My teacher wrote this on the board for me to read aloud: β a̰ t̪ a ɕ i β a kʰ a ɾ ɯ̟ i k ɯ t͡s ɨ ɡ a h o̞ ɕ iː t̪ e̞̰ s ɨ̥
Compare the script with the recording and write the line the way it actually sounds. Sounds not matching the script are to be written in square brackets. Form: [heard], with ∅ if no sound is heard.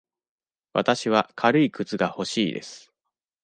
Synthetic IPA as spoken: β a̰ t̪ a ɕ i β a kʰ a ɾ ɯ̟ i k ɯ t͡s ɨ ɡ a h o̞ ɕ iː [d̪] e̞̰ s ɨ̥

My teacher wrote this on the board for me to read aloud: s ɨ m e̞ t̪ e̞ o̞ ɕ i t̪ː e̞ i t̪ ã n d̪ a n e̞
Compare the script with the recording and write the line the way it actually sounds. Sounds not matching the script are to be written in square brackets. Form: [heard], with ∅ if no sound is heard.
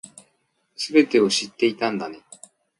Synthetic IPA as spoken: s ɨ [b] e̞ t̪ e̞ o̞ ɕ i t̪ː e̞ i t̪ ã n d̪ a n e̞

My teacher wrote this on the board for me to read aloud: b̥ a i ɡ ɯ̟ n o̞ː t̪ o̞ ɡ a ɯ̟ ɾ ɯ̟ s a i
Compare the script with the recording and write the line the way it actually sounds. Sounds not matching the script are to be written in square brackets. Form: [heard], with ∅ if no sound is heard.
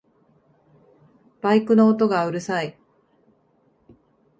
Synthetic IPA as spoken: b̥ a i [k] ɯ̟ n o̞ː t̪ o̞ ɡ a ɯ̟ ɾ ɯ̟ s a i

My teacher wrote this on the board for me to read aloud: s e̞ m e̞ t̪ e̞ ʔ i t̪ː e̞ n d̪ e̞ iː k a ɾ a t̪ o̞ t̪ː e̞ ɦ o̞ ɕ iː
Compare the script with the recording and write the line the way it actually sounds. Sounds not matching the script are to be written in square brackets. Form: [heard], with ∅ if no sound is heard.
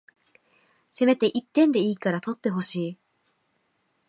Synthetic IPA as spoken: s e̞ m e̞ t̪ e̞ ʔ i t̪ː [ẽ̞] n d̪ e̞ iː k a ɾ a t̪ o̞ t̪ː e̞ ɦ o̞ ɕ iː

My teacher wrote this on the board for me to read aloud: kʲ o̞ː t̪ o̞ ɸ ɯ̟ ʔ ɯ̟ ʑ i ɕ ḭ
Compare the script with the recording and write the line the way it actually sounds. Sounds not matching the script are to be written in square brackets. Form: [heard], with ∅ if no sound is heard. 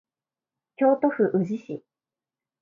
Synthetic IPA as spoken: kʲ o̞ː t̪ o̞ ɸ ɯ̟ ʔ ɯ̟ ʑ i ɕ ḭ

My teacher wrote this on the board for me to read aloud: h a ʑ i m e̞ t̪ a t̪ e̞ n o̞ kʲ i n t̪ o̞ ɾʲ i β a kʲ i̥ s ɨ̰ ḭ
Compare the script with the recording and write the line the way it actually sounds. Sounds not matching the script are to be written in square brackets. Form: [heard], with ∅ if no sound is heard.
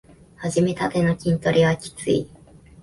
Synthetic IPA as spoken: h a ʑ i m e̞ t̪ a t̪ e̞ n o̞ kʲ [ĩ] n t̪ o̞ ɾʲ i β a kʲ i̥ [t͡s] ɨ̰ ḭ

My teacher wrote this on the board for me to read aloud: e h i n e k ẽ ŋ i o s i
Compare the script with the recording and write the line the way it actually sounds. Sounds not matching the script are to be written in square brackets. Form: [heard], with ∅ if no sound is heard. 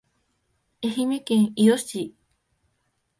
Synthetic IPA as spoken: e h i [m] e k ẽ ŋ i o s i

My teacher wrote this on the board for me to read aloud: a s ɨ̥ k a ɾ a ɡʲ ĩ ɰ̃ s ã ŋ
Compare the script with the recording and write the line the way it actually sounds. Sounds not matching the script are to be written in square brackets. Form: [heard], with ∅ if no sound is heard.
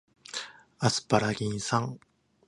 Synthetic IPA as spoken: a s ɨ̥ [p] a ɾ a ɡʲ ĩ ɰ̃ s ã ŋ

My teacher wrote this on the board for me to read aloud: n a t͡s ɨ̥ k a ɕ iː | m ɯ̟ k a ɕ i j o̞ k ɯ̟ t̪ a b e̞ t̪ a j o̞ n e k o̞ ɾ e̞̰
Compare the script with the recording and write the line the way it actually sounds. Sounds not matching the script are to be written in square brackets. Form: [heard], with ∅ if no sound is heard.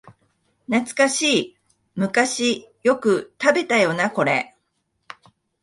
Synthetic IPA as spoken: n a t͡s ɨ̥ k a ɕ iː | m ɯ̟ k a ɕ i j o̞ k ɯ̟ t̪ a b e̞ t̪ a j o̞ n [a] k o̞ ɾ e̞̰

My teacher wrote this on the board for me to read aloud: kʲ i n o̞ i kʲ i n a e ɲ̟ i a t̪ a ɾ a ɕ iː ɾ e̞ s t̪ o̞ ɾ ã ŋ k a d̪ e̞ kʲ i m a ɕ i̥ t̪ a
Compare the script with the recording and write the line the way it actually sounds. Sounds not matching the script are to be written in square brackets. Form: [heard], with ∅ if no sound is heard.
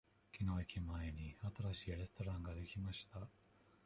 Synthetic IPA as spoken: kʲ i n o̞ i kʲ i [m] a e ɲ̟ i a t̪ a ɾ a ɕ iː ɾ e̞ s t̪ o̞ ɾ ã ŋ [ɡ] a d̪ e̞ kʲ i m a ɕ i̥ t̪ a

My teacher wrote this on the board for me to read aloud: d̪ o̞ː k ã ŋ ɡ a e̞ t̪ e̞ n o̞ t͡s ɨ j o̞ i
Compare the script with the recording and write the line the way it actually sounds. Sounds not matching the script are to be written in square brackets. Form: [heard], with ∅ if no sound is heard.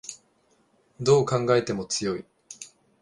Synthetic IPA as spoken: d̪ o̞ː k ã ŋ ɡ a e̞ t̪ e̞ [m] o̞ t͡s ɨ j o̞ i

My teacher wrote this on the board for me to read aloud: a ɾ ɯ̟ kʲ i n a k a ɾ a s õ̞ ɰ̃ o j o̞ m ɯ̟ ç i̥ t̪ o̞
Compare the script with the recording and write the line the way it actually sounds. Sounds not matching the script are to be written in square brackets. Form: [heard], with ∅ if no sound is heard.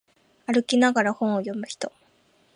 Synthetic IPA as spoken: a ɾ ɯ̟ kʲ i n a [ɡ] a ɾ a [h] õ̞ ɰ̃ o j o̞ m ɯ̟ ç i̥ t̪ o̞

